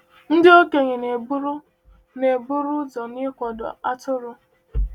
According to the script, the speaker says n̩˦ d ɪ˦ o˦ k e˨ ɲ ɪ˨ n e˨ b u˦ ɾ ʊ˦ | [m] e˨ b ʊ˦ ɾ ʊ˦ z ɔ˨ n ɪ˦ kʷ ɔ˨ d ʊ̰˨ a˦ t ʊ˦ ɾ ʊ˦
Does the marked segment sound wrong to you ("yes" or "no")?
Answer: yes